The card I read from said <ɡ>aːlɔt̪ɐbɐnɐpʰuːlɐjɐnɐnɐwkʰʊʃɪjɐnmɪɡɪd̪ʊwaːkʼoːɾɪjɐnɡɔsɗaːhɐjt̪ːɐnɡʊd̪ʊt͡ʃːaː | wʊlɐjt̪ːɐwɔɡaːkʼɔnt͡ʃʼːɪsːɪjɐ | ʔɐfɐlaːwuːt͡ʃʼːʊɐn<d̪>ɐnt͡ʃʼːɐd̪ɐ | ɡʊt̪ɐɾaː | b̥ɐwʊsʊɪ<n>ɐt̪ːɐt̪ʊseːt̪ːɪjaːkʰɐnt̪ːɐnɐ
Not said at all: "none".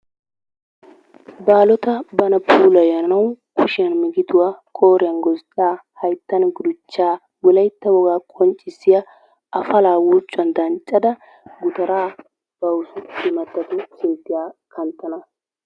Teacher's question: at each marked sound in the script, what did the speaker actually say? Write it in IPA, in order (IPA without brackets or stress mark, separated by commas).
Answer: b, d̪, m